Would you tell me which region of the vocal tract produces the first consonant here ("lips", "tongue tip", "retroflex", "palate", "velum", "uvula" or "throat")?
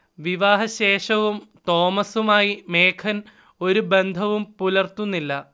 lips